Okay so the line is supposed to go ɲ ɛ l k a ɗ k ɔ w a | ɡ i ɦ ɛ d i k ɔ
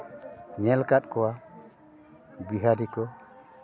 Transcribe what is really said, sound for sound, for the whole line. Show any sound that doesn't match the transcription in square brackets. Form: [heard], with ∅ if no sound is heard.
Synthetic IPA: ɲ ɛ l k a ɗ k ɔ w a | [b] i ɦ [a] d i k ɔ